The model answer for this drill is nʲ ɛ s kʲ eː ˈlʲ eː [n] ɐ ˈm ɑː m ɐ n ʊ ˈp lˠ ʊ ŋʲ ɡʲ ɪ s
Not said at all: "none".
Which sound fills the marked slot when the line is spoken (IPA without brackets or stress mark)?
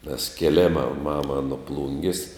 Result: m